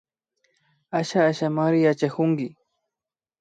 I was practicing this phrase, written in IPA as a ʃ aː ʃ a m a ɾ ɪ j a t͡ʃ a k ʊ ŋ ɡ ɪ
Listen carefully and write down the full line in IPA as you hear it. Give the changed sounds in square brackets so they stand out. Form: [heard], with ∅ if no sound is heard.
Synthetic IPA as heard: a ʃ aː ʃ a m a ɾ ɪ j a t͡ʃ a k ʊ ŋ ɡ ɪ